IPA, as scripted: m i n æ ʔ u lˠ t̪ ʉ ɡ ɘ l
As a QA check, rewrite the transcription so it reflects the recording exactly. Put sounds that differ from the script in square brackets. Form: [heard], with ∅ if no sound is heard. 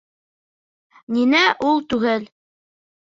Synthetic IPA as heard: [n] i n æ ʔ u lˠ t̪ ʉ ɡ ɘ l